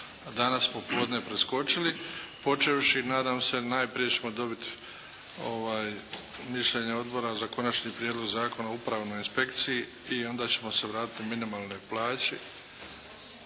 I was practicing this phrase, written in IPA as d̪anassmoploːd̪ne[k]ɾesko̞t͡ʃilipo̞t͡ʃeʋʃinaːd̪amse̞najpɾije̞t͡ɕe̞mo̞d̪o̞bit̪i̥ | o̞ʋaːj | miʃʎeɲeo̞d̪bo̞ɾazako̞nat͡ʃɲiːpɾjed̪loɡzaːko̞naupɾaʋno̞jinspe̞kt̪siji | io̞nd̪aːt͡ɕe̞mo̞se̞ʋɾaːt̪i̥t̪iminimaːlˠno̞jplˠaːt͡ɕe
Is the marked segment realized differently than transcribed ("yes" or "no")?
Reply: yes